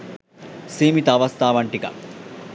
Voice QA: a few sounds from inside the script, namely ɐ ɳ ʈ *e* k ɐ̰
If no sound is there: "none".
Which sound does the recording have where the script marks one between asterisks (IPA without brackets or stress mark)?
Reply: i